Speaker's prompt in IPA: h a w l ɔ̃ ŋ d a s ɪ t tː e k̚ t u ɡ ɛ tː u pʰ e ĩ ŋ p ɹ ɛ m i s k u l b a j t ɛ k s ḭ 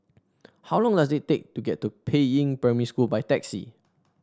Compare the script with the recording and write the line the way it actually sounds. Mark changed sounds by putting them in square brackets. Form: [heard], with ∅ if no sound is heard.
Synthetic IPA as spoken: h a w l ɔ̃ ŋ d a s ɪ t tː e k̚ t u ɡ ɛ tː u pʰ e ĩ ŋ p ɹ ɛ m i s k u l b a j t ɛ k s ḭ